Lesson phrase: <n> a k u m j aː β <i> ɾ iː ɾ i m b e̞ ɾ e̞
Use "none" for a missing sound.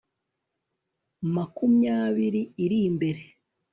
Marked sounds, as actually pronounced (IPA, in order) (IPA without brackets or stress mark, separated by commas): m, i